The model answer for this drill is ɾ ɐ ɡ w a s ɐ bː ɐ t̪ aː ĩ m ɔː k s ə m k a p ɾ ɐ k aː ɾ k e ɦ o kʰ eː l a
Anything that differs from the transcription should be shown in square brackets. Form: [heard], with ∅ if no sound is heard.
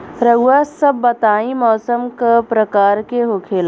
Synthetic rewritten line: ɾ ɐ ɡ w a s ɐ bː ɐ t̪ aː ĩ m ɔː [∅] s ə m k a p ɾ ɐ k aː ɾ k e ɦ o kʰ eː l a